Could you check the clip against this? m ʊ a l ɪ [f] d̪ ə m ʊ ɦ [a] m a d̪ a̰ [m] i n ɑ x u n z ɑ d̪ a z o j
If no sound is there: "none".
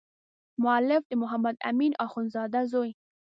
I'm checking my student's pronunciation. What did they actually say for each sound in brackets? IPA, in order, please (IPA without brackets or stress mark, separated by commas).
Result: f, a, m